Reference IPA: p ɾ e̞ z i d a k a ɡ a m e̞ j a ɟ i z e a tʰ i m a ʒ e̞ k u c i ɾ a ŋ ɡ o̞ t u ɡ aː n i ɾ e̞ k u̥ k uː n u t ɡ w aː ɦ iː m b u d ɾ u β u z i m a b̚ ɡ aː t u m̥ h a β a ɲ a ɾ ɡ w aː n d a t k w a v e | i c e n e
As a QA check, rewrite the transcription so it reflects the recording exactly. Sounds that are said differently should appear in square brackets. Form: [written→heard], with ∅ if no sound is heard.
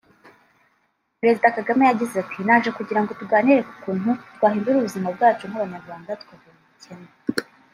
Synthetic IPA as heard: p ɾ e̞ z i d a k a ɡ a m e̞ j a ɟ i z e a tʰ i [m→n] a ʒ e̞ k u [c→ɟ] i ɾ a ŋ ɡ o̞ t u ɡ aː n i ɾ e̞ k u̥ k uː n u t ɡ w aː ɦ iː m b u [d→∅] ɾ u β u z i m a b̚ ɡ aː [t→t͡ʃ] u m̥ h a β a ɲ a ɾ ɡ w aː n d a t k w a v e | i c e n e

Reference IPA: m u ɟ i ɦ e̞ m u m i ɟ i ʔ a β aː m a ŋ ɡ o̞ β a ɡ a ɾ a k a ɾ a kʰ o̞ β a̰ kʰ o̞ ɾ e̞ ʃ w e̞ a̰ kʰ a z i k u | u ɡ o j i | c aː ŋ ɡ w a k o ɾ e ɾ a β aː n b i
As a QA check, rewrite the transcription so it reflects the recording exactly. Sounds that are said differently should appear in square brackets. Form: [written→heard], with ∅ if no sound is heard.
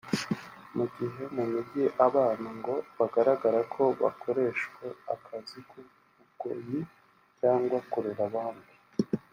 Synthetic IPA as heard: m u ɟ i ɦ e̞ m u m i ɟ i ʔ a β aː [m→n] a ŋ ɡ o̞ β a ɡ a ɾ a [k→ɡ] a ɾ a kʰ o̞ β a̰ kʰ o̞ ɾ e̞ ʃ w e̞ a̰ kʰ a z i k u | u ɡ o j i | c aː ŋ ɡ w a k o ɾ e ɾ a β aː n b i

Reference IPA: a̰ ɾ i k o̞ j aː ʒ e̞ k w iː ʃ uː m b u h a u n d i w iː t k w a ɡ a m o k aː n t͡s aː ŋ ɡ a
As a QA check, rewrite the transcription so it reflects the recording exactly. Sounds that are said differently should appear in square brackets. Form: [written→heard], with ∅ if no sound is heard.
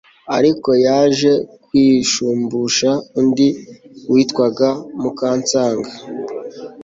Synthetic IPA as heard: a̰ ɾ i k o̞ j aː ʒ e̞ k w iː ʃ uː m b u [h→ʃ] a u n d i w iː t k w a ɡ a m [o→u] k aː n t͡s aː ŋ ɡ a

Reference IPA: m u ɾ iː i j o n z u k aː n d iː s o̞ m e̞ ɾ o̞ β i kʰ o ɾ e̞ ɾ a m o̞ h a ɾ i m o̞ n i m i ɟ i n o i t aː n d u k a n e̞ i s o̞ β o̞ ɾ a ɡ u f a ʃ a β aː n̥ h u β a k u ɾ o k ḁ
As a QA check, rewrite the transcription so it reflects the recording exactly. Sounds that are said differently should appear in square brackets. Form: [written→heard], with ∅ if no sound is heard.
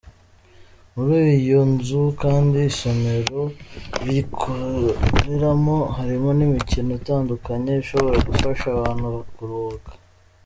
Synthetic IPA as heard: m u ɾ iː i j o n z u k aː n d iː s o̞ m e̞ ɾ o̞ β i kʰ o ɾ e̞ ɾ a m o̞ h a ɾ i m o̞ n i m i [ɟ→c] i n o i t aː n d u k a [n→ɲ] e̞ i [s→ʃ] o̞ β o̞ ɾ a ɡ u f a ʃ a β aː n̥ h u β a k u ɾ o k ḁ

